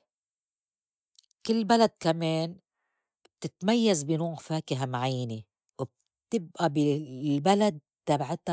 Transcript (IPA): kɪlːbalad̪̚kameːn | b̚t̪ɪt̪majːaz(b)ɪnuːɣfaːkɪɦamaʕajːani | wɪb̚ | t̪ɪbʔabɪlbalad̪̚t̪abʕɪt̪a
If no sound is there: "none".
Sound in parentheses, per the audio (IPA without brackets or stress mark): b